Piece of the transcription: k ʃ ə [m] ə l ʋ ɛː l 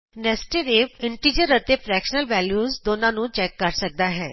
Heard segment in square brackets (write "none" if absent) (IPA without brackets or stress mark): n